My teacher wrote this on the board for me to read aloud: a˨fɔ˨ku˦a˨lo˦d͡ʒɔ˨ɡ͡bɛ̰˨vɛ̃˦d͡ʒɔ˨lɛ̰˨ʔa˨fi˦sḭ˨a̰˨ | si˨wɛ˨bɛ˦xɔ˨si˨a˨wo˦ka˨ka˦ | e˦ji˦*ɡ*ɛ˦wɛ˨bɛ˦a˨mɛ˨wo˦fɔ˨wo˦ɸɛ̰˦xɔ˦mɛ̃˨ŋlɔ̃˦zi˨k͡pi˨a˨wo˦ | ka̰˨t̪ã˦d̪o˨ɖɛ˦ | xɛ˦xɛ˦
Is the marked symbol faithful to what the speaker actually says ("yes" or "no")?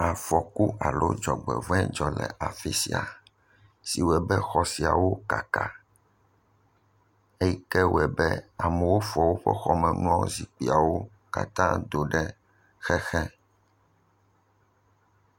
no